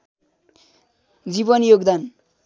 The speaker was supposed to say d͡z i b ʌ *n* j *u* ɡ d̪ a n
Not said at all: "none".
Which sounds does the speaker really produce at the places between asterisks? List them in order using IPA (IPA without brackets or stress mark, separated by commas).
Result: n, o